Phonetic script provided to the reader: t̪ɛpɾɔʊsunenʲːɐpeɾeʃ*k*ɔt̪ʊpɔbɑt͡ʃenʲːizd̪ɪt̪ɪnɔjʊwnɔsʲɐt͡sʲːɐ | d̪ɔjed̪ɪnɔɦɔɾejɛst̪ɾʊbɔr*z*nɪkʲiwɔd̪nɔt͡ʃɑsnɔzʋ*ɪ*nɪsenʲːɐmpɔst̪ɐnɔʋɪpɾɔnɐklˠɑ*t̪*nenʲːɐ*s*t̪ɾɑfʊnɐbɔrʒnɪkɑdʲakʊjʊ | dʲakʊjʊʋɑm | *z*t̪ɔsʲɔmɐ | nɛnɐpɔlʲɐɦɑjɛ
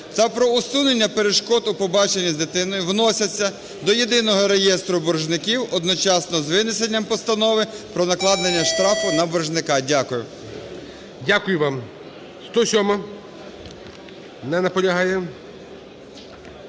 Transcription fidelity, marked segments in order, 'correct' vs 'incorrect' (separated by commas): correct, incorrect, correct, incorrect, incorrect, incorrect